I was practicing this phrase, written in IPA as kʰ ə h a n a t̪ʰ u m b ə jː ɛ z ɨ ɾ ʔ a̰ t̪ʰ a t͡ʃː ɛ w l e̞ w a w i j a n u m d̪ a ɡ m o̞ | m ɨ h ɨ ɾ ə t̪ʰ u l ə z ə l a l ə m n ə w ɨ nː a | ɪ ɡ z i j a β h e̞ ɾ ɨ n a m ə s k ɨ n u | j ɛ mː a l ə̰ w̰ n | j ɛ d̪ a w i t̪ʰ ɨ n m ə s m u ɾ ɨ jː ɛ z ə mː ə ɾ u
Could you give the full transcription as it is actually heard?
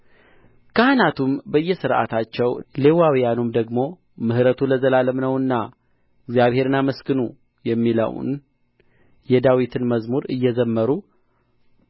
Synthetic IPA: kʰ ə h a n a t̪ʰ u m b ə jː ɛ s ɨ ɾ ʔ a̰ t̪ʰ a t͡ʃː ɛ w l e̞ w a w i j a n u m d̪ ə ɡ m o̞ | m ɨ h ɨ ɾ ə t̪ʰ u l ə z ə l a l ə m n ə w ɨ nː a | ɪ ɡ z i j a β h e̞ ɾ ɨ n a m ə s k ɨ n u | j ɛ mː i l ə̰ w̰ n | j ɛ d̪ a w i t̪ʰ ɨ n m ə z m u ɾ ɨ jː ɛ z ə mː ə ɾ u